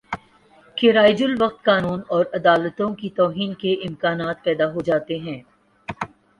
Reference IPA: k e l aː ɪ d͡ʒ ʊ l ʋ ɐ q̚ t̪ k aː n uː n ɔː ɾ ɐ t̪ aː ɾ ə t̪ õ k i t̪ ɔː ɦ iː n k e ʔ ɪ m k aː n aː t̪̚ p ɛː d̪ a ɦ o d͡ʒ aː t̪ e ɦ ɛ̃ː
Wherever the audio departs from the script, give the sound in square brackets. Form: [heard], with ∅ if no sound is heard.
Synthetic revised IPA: k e [ɾ] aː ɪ d͡ʒ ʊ l ʋ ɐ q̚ t̪ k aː n uː n ɔː ɾ ɐ [d̪] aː [l] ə t̪ õ k i t̪ ɔː ɦ iː n k e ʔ ɪ m k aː n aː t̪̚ p ɛː d̪ a ɦ o d͡ʒ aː t̪ e ɦ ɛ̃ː